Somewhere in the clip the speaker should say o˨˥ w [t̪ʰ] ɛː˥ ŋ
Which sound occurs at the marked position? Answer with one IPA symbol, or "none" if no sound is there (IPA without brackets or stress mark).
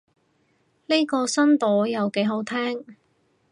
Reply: t̪ʰ